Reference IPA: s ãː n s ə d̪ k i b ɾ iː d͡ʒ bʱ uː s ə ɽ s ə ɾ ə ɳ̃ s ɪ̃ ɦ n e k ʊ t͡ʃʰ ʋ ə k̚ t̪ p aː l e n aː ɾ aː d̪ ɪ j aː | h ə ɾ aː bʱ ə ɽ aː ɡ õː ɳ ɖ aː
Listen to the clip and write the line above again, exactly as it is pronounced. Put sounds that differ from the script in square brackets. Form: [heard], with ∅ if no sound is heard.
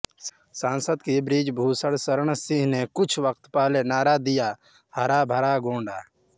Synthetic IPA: s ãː n s ə d̪ k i b ɾ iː d͡ʒ bʱ uː s ə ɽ s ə ɾ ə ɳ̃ s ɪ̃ ɦ n e k ʊ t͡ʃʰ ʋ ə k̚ t̪ p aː l e n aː ɾ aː d̪ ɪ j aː | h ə ɾ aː bʱ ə [ɾ] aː ɡ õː ɳ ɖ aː